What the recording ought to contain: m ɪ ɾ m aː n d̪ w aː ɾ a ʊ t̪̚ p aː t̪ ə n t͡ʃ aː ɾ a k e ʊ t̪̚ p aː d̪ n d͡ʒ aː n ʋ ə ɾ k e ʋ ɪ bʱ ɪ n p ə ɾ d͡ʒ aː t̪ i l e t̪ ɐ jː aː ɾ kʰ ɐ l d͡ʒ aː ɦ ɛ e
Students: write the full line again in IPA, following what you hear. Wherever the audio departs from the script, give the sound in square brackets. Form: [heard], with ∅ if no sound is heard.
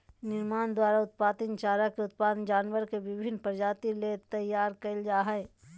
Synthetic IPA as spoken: [n] ɪ ɾ m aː n d̪ w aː ɾ a ʊ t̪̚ p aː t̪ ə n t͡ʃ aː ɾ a k e ʊ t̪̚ p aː d̪ n d͡ʒ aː n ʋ ə ɾ k e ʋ ɪ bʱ ɪ n p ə ɾ d͡ʒ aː t̪ i l e t̪ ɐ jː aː ɾ [k] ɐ l d͡ʒ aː ɦ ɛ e